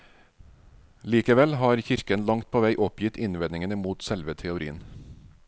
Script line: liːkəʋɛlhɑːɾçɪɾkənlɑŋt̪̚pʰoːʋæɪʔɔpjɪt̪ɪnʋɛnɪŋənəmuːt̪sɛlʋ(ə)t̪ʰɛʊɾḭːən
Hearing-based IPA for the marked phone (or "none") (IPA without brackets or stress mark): ə